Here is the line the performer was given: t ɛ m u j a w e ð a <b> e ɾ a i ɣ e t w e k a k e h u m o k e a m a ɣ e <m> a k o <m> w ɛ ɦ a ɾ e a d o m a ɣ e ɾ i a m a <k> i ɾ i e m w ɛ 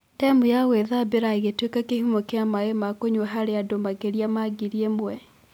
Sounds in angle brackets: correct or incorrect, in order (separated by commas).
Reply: correct, correct, incorrect, incorrect